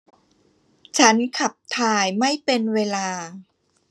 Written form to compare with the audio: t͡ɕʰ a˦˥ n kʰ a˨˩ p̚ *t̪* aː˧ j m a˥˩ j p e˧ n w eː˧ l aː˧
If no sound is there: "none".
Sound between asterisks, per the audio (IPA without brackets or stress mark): t̪ʰ